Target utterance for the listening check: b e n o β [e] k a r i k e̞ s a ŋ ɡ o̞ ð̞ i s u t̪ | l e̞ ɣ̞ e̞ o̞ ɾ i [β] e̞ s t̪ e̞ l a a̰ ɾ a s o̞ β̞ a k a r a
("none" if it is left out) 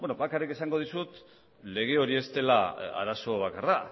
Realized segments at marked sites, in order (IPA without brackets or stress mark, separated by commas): a, none